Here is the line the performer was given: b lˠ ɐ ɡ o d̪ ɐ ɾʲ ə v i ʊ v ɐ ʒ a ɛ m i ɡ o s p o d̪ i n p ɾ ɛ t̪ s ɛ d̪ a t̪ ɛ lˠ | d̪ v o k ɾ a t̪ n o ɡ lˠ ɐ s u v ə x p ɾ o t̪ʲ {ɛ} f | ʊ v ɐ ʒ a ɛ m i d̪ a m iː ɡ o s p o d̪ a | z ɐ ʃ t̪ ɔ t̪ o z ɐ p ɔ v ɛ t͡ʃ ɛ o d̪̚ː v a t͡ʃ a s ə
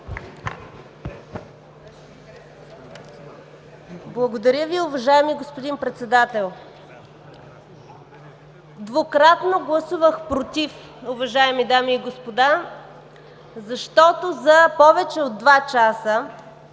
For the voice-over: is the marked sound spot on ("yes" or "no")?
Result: no